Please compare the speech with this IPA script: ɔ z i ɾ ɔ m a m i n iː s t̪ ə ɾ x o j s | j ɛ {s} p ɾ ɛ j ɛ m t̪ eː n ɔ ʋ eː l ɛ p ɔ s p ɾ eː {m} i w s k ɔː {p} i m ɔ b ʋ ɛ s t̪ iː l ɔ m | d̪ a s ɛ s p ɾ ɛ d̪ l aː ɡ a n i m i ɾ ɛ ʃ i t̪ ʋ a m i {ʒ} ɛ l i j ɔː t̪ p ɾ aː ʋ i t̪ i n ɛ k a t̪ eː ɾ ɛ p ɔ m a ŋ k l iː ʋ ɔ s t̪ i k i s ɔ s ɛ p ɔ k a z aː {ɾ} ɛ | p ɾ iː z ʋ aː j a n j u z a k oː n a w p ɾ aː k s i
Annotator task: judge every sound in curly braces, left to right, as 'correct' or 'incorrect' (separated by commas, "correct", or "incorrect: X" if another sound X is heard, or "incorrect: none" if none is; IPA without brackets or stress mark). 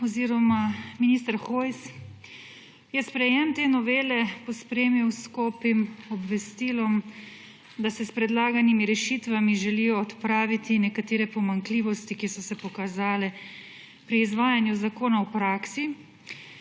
correct, correct, correct, correct, incorrect: l